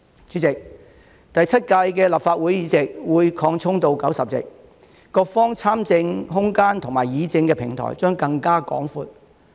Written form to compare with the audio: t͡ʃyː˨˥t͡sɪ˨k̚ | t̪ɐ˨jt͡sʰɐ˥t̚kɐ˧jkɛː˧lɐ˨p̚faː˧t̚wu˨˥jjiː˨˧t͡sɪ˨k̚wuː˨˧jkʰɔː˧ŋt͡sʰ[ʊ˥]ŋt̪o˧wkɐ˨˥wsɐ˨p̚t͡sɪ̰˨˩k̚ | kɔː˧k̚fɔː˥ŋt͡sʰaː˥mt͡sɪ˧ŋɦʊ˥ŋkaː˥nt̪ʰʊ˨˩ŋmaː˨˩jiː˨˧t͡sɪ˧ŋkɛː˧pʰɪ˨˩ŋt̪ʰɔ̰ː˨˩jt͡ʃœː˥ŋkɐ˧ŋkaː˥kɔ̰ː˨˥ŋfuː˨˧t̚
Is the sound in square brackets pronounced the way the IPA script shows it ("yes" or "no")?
yes